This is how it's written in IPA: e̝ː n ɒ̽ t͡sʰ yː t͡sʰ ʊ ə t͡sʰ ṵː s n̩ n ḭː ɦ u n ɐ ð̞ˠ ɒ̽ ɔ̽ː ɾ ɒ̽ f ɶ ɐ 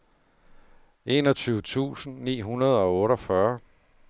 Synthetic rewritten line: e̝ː n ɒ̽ t͡sʰ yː ʊ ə t͡sʰ ṵː s n̩ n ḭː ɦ u n ɐ ð̞ˠ ɒ̽ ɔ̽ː ɾ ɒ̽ f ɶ ɐ